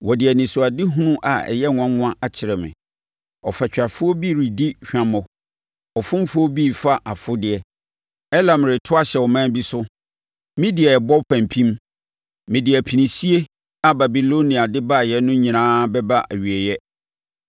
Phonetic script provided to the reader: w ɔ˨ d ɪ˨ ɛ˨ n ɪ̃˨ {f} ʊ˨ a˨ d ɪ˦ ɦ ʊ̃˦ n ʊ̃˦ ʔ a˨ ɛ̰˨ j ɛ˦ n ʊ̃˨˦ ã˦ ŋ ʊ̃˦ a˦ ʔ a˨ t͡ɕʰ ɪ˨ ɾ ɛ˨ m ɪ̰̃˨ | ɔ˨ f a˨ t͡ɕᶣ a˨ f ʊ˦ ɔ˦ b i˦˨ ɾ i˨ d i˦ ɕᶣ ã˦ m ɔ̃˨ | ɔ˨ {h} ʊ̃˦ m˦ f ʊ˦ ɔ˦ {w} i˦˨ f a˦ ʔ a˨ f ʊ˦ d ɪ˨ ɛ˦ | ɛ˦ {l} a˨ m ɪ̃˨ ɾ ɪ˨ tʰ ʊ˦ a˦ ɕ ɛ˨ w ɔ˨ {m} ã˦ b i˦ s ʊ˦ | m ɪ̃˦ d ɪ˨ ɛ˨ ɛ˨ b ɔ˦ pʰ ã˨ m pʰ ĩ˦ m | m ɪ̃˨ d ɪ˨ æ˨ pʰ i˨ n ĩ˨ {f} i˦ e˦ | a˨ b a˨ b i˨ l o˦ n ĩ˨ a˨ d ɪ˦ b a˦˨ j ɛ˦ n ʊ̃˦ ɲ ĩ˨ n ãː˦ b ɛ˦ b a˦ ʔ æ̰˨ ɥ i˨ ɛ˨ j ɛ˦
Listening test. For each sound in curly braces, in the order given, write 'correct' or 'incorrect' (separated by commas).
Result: incorrect, incorrect, incorrect, correct, correct, incorrect